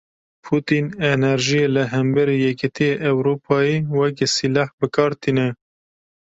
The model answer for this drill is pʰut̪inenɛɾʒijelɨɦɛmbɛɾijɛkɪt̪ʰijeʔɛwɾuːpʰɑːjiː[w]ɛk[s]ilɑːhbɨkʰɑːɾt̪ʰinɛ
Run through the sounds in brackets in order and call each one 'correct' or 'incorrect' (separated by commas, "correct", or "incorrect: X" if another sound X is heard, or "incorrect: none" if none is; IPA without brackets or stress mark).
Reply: correct, correct